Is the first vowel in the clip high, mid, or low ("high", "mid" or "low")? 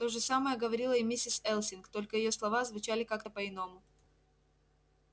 mid